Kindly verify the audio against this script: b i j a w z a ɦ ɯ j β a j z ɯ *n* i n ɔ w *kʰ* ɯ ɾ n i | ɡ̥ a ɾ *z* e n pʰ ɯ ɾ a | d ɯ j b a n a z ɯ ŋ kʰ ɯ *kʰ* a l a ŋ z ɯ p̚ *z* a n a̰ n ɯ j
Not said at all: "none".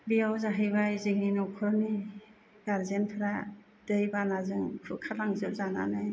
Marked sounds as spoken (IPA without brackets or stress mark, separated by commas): ŋ, kʰ, z, kʰ, z